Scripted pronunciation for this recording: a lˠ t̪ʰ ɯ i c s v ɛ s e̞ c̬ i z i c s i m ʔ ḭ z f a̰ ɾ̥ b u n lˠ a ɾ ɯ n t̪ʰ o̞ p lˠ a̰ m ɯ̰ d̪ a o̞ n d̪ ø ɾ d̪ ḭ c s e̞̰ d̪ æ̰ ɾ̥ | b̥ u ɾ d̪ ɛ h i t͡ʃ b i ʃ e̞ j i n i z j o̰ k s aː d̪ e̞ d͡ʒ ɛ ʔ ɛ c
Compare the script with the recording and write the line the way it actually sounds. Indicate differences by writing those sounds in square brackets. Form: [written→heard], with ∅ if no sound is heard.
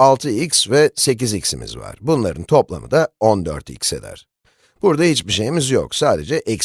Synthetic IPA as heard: a lˠ t̪ʰ ɯ i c s v ɛ s e̞ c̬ i z i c s i m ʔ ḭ z [f→v] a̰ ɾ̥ b u n lˠ a ɾ ɯ n t̪ʰ o̞ p lˠ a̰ m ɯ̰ d̪ a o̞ n d̪ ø ɾ [d̪→t̪] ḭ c s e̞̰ d̪ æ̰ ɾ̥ | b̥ u ɾ d̪ [ɛ→a] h i t͡ʃ b i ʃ e̞ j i [n→m] i z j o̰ k s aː d̪ e̞ d͡ʒ ɛ ʔ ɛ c